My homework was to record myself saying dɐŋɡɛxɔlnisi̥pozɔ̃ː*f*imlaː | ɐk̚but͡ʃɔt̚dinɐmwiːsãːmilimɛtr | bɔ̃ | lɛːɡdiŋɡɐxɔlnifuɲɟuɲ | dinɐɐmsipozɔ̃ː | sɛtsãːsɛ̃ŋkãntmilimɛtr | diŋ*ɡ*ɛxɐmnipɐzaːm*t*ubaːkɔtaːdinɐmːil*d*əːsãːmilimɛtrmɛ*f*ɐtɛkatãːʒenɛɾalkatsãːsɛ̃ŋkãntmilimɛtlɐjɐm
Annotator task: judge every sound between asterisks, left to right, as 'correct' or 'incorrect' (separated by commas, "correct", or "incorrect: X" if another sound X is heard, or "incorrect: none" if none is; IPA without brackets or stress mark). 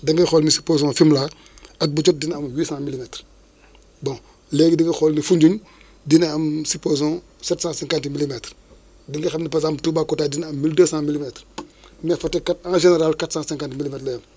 correct, correct, correct, correct, correct